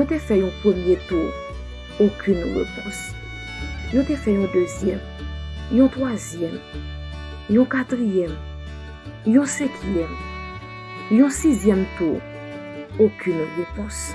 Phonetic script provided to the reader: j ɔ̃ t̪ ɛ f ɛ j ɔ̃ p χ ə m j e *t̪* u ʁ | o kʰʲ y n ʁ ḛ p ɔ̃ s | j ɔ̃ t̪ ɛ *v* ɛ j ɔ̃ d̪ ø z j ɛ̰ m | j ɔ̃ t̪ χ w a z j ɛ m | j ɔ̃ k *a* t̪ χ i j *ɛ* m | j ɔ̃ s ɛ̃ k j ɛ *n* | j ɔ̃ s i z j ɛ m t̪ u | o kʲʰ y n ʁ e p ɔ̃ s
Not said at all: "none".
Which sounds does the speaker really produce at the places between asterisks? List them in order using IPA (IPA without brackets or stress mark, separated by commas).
t̪, f, a, ɛ, m